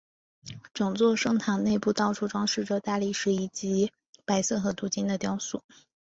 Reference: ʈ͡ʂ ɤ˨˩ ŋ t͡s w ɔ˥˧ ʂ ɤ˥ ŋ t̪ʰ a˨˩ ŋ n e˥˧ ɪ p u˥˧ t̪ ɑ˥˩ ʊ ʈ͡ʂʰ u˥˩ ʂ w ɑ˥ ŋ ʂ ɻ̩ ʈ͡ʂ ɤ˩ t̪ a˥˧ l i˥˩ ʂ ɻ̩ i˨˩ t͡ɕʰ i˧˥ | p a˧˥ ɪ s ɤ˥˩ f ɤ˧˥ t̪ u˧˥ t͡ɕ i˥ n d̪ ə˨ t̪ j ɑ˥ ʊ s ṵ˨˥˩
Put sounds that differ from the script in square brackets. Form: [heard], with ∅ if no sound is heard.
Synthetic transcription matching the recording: ʈ͡ʂ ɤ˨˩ ŋ t͡s w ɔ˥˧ ʂ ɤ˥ ŋ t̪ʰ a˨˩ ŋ n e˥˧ ɪ p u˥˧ t̪ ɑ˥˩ ʊ ʈ͡ʂʰ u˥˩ [ʈ͡ʂ] w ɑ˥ ŋ ʂ ɻ̩ ʈ͡ʂ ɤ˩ t̪ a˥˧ l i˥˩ ʂ ɻ̩ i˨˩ [t͡ɕ] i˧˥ | p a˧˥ ɪ s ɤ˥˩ [x] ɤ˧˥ t̪ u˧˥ t͡ɕ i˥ n d̪ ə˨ t̪ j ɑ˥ ʊ s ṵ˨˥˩